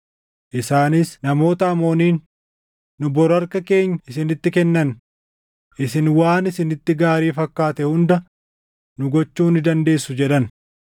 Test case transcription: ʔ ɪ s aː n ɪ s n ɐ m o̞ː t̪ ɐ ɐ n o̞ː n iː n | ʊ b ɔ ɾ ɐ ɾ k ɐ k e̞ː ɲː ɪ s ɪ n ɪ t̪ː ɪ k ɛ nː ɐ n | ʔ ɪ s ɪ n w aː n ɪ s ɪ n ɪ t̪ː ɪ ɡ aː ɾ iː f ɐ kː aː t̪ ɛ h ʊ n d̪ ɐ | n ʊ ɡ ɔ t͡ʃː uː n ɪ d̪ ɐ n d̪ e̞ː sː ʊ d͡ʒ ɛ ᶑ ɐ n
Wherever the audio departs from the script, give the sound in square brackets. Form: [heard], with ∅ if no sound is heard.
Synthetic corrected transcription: ʔ ɪ s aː n ɪ s n ɐ m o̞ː t̪ ɐ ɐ [m] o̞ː n iː [nː] | ʊ b ɔ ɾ ɐ ɾ k ɐ k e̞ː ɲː ɪ s ɪ n ɪ t̪ː ɪ k ɛ nː ɐ n | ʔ ɪ s ɪ n w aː n ɪ s ɪ n ɪ t̪ː ɪ ɡ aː ɾ iː f ɐ kː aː t̪ ɛ h ʊ n d̪ ɐ | n ʊ ɡ ɔ t͡ʃː uː n ɪ d̪ ɐ n d̪ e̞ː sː ʊ d͡ʒ ɛ ᶑ ɐ n